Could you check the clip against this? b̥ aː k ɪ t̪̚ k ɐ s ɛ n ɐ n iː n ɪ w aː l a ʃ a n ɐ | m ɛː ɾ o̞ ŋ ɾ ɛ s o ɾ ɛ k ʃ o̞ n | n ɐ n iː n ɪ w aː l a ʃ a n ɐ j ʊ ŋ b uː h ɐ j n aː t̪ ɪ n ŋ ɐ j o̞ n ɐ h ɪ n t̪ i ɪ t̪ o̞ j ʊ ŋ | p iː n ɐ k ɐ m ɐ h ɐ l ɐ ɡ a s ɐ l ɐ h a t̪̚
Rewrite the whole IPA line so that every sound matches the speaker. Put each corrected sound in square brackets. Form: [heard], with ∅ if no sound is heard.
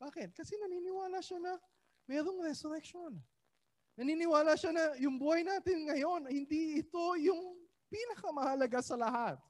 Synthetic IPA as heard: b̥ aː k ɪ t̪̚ k ɐ s ɛ n ɐ n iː n ɪ w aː l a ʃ a n ɐ | m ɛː ɾ o̞ ŋ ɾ ɛ s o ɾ ɛ k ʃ o̞ n | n ɐ n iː n ɪ w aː l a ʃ a n ɐ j ʊ ŋ b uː h ɐ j n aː t̪ ɪ n ŋ ɐ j o̞ n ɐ h ɪ n [d̪] i ɪ t̪ o̞ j ʊ ŋ | p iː n ɐ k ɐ m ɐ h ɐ l ɐ ɡ a s ɐ l ɐ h a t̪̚